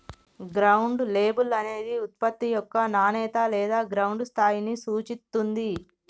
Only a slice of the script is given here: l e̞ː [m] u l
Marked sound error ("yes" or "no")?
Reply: yes